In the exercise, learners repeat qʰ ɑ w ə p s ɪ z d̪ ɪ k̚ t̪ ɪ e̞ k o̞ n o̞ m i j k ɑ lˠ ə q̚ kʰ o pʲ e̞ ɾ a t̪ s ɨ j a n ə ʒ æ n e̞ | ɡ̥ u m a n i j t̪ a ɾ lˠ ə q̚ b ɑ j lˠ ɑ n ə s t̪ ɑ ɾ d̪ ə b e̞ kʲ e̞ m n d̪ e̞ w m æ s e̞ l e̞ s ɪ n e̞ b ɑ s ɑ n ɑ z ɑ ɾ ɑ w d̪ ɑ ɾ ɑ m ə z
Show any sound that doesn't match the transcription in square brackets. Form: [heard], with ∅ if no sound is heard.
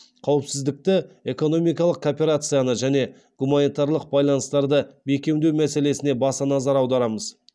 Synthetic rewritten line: qʰ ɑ w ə p s ɪ z d̪ ɪ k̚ t̪ ɪ e̞ k o̞ n o̞ m i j k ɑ lˠ ə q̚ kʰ o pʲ e̞ ɾ a t̪ s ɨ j a n ə ʒ æ n e̞ | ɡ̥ u m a n i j t̪ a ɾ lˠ ə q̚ b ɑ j lˠ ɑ n ə s t̪ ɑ ɾ d̪ ə b e̞ kʲ e̞ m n d̪ e̞ w m æ s e̞ l e̞ s ɪ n e̞ b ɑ s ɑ n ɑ z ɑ ɾ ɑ w d̪ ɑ ɾ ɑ m ə z